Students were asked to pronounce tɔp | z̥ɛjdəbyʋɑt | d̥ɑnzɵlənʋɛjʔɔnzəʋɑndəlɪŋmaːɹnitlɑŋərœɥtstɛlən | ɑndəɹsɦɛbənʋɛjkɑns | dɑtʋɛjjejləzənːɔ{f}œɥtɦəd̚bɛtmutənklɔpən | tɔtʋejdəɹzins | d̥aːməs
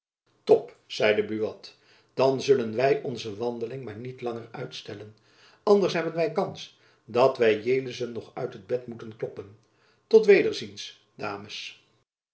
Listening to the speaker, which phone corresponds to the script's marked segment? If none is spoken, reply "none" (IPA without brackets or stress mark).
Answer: χ